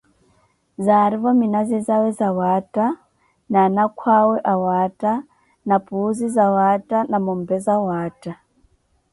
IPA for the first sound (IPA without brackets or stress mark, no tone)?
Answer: z